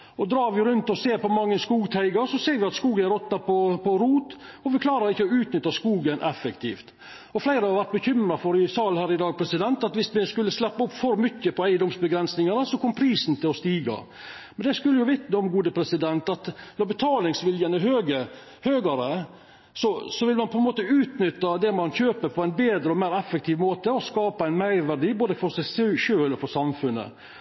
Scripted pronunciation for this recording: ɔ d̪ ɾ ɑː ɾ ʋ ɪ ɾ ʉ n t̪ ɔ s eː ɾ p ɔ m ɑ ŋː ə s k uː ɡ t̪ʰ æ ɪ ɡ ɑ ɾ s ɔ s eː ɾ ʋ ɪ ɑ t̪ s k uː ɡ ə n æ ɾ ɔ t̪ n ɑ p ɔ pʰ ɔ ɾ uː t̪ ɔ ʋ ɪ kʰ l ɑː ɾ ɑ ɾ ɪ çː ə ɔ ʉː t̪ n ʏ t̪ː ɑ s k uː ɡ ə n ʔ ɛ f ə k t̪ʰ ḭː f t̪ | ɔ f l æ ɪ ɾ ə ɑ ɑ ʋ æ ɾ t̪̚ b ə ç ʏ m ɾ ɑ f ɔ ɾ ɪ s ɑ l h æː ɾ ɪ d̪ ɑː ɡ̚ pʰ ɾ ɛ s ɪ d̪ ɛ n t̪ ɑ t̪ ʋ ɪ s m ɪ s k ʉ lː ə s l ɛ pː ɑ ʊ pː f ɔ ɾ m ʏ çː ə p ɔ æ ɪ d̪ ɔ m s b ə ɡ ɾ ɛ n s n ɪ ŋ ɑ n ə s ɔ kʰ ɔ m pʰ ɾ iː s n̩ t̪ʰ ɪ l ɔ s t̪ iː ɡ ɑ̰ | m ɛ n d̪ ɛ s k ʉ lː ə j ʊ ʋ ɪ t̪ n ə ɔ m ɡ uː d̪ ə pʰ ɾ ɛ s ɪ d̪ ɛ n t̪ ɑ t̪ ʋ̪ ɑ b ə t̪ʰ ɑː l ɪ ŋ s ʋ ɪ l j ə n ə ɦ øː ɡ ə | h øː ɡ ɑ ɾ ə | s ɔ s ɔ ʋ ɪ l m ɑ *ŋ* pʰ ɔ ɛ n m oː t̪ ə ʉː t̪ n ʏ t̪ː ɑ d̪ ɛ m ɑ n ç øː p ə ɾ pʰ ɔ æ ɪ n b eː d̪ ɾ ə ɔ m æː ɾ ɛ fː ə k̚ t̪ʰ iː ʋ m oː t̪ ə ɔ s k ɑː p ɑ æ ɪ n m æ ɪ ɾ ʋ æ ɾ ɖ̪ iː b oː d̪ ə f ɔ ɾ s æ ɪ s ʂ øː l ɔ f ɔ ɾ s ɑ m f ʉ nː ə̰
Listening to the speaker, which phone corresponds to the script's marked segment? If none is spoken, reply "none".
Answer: n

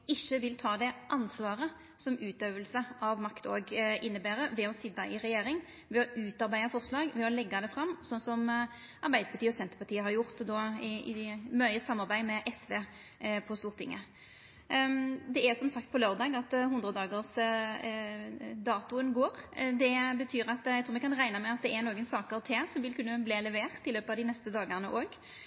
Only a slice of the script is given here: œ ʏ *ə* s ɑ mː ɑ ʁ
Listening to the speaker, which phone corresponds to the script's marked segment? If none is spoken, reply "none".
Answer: ə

